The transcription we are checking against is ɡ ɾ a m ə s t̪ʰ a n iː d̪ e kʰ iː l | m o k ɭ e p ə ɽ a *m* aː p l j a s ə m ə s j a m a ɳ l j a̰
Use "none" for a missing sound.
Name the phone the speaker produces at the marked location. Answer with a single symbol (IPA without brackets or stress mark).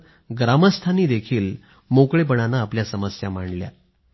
n